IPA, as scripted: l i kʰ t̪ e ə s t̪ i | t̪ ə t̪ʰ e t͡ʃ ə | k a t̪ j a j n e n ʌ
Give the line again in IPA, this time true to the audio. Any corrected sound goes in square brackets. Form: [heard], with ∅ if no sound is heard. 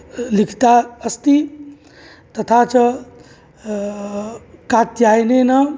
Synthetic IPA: l i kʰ t̪ [a] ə s t̪ i | t̪ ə t̪ʰ [a] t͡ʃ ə | k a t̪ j a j n e n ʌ